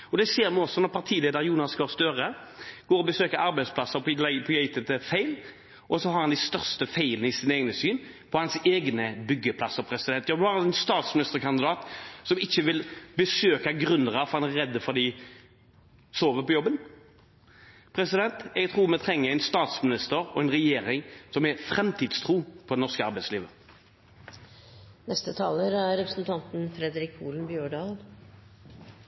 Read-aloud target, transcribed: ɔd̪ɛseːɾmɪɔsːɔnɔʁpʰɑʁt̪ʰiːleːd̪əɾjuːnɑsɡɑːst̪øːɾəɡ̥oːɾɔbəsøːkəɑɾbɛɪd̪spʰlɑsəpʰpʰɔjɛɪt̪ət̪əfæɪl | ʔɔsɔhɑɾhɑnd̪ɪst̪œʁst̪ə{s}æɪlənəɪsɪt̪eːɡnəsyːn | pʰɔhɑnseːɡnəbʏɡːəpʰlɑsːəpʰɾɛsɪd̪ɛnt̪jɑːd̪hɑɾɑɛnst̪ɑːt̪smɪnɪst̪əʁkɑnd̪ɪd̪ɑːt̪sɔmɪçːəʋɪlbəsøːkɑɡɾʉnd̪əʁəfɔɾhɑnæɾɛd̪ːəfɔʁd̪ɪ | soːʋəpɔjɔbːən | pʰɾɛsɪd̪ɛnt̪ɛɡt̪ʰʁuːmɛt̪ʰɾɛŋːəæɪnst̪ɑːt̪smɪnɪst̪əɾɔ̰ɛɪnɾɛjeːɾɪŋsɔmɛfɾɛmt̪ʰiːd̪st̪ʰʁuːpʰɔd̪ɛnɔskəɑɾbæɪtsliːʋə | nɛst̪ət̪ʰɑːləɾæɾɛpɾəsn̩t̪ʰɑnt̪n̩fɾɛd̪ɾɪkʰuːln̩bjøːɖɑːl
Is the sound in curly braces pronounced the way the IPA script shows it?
no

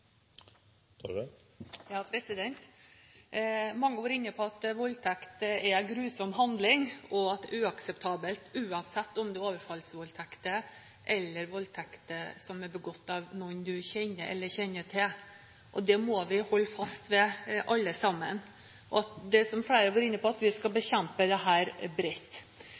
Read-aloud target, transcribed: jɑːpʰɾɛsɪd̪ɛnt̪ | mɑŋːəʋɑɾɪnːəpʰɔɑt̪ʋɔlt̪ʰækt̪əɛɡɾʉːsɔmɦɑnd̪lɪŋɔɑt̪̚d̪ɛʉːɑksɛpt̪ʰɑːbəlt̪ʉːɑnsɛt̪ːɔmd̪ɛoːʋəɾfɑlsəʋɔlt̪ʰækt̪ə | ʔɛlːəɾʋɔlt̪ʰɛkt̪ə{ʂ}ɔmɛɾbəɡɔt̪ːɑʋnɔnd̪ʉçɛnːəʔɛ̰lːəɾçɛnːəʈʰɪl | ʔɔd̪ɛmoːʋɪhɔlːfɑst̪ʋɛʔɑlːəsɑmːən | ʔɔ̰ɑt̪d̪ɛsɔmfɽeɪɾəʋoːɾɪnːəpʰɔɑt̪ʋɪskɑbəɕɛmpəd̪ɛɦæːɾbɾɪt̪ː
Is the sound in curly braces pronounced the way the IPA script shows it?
no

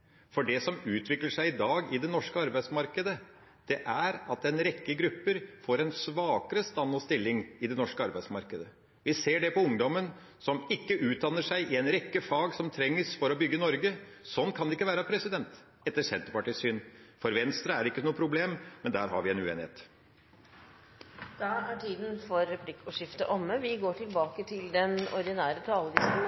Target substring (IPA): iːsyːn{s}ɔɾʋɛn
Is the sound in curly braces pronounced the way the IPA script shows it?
no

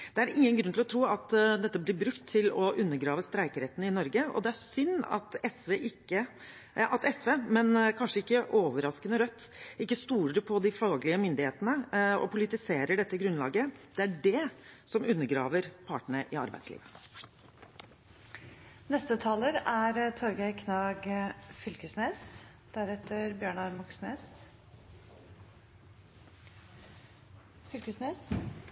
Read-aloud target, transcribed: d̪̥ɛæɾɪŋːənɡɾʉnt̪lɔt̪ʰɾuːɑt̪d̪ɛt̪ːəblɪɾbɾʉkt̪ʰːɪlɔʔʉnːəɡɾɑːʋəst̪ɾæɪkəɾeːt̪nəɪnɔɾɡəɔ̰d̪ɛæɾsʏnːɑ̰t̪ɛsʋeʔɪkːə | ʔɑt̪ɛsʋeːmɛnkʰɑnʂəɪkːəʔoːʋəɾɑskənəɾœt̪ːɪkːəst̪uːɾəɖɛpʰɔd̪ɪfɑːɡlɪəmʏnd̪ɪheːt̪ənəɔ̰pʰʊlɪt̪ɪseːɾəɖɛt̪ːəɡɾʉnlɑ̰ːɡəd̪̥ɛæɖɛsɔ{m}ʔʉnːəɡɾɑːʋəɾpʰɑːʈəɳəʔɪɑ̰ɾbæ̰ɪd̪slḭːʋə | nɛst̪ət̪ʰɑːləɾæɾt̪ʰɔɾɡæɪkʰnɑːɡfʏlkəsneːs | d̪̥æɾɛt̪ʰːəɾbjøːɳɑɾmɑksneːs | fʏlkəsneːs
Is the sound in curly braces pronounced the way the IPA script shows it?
yes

